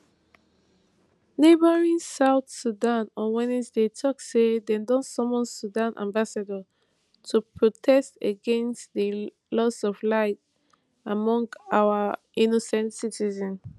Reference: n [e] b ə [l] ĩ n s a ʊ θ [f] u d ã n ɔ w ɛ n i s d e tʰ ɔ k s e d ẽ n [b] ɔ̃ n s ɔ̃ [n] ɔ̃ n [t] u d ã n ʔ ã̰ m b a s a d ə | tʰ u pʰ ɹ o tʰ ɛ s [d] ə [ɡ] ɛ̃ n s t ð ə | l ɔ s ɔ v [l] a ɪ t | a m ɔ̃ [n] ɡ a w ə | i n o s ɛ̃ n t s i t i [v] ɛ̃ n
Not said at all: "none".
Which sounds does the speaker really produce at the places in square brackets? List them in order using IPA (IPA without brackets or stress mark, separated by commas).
e, ɹ, s, d, m, s, t, ɡ, l, ŋ, z